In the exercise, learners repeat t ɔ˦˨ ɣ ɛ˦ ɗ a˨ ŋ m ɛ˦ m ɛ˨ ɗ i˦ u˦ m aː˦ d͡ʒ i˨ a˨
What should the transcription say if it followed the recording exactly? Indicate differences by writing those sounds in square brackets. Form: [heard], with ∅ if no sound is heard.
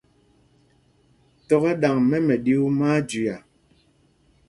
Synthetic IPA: t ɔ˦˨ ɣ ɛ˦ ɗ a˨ ŋ m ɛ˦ m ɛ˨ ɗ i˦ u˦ m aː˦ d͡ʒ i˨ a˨